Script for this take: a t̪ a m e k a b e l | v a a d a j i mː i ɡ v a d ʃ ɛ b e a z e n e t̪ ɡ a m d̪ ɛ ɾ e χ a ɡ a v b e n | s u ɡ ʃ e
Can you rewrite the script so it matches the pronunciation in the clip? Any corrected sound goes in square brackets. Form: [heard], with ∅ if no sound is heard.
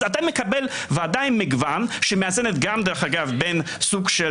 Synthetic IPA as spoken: a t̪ a m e k a b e l | v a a d a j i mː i ɡ v a [n] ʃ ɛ [m] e a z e n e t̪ ɡ a m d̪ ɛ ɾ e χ a ɡ a v b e n | s u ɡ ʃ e